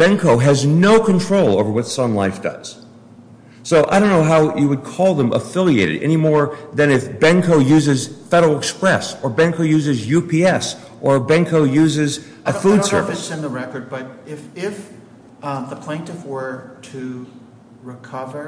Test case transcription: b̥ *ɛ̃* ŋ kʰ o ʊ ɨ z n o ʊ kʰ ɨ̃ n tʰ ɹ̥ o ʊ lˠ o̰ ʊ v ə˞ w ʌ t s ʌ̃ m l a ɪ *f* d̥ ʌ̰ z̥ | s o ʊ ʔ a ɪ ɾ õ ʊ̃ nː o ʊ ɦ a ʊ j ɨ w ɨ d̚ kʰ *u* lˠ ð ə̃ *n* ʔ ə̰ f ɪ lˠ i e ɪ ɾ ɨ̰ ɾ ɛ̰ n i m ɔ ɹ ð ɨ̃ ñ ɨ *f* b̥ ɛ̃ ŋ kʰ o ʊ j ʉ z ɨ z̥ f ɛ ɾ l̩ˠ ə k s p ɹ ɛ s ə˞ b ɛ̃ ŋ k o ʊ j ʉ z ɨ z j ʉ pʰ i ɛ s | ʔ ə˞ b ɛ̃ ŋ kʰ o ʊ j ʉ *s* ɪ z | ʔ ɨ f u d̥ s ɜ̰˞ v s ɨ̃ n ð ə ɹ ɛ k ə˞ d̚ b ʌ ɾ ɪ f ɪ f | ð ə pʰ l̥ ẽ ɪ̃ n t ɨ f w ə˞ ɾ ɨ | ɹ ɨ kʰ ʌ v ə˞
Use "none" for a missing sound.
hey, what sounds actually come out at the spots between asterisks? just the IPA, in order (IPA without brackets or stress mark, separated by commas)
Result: ɛ̃, f, ɔ, m, f, z